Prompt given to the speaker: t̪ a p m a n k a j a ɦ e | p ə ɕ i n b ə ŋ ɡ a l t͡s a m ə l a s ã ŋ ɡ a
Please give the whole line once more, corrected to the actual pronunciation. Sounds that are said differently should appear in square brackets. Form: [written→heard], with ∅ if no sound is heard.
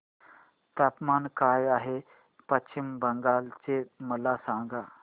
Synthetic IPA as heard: t̪ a p m a n k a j a ɦ e | p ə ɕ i [n→m] b ə ŋ ɡ a l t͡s [a→e] m ə l a s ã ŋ ɡ a